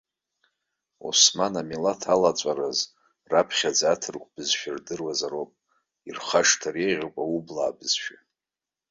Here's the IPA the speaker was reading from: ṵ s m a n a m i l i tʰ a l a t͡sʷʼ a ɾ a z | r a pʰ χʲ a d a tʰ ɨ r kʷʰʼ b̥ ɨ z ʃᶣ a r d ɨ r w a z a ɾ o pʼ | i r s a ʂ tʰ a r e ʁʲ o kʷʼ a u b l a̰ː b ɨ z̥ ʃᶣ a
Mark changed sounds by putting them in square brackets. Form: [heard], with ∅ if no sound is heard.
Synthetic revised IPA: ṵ s m a n a m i l [a] tʰ a l a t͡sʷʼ a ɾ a z | r a pʰ χʲ a [d͡z] a tʰ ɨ r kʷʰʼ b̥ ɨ z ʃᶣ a r d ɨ r w a z a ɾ o pʼ | i r [χ] a ʂ tʰ a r e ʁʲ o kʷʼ a u b l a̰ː b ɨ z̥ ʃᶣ a